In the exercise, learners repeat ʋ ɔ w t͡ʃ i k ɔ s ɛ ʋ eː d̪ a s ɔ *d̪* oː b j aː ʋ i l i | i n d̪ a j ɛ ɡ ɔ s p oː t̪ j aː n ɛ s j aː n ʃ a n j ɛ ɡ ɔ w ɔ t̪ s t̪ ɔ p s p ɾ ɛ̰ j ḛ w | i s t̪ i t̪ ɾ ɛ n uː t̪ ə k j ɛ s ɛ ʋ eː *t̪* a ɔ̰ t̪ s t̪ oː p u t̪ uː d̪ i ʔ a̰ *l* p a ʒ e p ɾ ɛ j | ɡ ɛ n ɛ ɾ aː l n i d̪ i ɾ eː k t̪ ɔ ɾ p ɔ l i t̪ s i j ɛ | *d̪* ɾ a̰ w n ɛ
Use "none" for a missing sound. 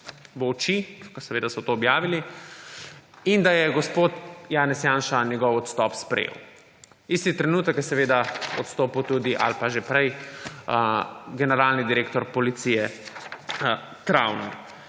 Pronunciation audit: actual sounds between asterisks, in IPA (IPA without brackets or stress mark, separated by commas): t̪, d̪, l, t̪